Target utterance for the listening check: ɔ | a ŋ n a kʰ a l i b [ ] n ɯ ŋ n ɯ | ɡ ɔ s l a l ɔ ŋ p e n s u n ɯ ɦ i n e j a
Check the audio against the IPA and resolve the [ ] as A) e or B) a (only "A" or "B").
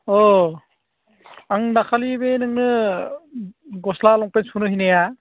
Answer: A